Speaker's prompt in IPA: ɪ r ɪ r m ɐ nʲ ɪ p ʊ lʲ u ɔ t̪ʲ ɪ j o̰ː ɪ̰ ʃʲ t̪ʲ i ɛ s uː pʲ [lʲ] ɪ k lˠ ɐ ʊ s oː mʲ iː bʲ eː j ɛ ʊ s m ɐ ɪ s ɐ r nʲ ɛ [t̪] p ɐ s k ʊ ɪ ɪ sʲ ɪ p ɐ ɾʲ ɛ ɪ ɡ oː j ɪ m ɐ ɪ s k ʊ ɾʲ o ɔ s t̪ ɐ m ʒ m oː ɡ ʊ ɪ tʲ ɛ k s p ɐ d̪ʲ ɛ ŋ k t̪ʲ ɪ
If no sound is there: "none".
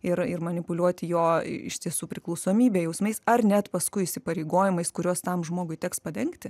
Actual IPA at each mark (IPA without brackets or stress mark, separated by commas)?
ɾʲ, t̪